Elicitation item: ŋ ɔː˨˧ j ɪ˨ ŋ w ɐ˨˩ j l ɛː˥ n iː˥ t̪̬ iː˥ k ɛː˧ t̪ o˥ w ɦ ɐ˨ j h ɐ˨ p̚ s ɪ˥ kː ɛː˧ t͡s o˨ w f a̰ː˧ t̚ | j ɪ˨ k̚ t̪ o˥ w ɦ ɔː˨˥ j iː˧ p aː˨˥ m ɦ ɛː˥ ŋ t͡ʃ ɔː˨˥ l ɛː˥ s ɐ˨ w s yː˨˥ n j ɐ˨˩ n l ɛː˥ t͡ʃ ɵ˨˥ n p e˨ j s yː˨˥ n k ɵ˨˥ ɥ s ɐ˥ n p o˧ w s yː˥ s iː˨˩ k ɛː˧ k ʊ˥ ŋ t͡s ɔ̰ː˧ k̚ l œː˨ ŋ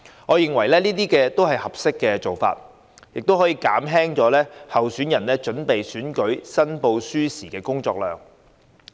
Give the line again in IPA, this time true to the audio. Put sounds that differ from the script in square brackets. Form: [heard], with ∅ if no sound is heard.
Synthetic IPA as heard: ŋ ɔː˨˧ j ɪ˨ ŋ w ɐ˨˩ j l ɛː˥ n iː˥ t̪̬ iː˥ k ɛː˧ t̪ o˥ w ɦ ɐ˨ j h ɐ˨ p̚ s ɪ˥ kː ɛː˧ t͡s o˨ w f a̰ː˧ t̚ | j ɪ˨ k̚ t̪ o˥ w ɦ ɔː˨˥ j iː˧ [k] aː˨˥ m ɦ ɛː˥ ŋ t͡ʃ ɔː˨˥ l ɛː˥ [h] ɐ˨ w s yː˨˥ n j ɐ˨˩ n l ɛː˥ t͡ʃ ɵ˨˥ n p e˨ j s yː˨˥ n k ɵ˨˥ ɥ s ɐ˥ n p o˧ w s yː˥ s iː˨˩ k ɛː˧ k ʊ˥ ŋ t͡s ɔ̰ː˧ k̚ l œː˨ ŋ